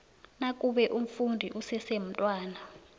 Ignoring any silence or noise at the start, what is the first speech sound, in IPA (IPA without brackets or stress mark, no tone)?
n